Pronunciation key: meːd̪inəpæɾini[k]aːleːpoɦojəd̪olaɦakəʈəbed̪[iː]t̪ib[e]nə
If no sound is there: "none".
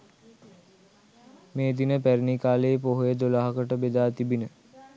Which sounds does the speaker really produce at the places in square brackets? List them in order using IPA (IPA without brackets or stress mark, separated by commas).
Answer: k, aː, i